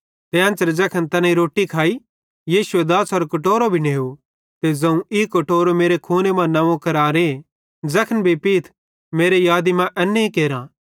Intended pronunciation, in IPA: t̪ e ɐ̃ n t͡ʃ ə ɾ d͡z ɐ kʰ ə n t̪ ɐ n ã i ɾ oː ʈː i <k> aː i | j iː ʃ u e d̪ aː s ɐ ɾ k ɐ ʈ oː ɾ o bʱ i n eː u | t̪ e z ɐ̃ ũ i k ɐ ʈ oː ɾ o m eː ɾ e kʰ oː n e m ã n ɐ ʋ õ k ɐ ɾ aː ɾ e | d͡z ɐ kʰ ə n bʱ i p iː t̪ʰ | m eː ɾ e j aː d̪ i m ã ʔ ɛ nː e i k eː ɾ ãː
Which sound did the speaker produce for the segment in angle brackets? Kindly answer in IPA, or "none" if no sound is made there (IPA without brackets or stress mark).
kʰ